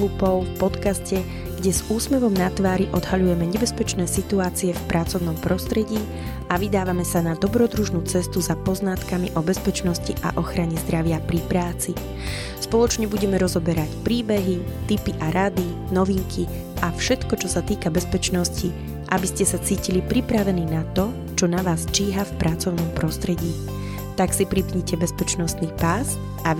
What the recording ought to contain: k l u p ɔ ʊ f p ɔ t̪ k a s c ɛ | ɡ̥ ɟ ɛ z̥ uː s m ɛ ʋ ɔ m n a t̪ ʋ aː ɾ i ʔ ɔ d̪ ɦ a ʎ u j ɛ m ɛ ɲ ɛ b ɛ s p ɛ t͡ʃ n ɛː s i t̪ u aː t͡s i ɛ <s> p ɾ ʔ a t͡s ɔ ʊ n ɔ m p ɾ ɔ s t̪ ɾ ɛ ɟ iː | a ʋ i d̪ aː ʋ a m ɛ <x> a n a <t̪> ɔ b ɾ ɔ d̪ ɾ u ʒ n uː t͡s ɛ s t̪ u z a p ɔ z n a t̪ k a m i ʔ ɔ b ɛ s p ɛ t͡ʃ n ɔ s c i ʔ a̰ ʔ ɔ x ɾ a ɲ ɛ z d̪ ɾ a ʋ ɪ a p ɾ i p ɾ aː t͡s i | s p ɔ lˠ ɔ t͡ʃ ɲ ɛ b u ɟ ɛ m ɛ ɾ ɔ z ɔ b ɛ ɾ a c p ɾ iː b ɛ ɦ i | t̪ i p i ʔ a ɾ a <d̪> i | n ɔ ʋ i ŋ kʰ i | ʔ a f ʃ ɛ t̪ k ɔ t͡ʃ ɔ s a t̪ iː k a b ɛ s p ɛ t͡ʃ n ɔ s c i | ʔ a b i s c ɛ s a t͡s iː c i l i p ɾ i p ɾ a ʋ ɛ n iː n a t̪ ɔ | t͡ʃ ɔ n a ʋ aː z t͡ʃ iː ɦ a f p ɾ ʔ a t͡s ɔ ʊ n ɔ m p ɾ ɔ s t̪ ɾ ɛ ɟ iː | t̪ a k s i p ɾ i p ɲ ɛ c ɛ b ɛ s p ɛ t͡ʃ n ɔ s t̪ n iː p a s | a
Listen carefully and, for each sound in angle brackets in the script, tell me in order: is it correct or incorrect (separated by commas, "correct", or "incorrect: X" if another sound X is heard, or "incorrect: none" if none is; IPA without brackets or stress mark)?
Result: incorrect: f, incorrect: s, incorrect: d̪, correct